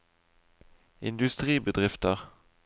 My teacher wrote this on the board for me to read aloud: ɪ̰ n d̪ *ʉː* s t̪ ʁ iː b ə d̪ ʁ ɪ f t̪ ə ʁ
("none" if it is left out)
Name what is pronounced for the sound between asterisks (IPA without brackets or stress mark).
ʉ